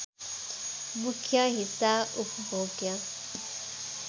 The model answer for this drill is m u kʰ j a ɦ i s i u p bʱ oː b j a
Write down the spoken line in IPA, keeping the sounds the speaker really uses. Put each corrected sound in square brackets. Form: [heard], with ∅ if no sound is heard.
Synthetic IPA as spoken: m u kʰ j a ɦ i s [a] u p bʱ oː [ɡ] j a

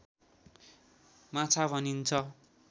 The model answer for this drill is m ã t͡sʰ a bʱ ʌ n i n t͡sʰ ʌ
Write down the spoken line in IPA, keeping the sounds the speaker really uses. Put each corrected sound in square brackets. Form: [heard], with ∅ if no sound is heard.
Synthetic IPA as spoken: m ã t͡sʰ a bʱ ʌ n i n t͡sʰ ʌ

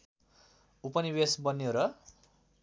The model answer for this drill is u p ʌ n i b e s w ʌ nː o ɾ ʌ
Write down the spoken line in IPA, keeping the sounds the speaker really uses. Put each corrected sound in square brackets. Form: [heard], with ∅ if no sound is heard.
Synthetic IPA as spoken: u p ʌ n i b e s [b] ʌ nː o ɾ ʌ

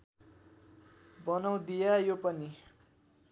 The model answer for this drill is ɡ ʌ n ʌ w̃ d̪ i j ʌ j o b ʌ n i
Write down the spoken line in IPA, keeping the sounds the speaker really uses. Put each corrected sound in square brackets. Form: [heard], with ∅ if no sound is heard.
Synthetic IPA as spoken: [b] ʌ n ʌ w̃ d̪ i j [a] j o [p] ʌ n i

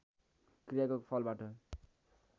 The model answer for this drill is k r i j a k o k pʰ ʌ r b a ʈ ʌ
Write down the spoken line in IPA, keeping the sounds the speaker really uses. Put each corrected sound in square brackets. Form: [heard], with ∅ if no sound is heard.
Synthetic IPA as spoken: k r i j a k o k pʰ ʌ [l] b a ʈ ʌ

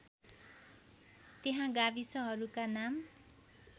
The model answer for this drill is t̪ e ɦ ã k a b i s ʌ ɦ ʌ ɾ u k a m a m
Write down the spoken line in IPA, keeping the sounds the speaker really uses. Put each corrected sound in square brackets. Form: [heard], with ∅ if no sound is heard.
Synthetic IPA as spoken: t̪ e ɦ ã [ɡ] a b i s ʌ ɦ ʌ ɾ u k a [n] a m

